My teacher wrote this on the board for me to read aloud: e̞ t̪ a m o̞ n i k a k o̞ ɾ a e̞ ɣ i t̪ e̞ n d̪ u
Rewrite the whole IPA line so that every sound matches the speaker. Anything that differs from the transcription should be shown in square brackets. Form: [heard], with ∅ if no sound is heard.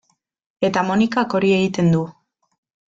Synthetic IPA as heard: e̞ t̪ a m o̞ n i k a k o̞ ɾ [i] e̞ ɣ i t̪ e̞ n d̪ u